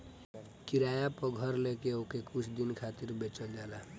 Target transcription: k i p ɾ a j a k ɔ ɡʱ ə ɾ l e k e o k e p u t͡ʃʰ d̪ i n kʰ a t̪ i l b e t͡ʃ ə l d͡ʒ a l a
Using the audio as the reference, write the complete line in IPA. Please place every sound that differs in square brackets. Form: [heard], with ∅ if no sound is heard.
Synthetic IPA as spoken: k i [∅] ɾ a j a [p] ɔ ɡʱ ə ɾ l e k e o k e [k] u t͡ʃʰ d̪ i n kʰ a t̪ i [ɾ] b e t͡ʃ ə l d͡ʒ a l a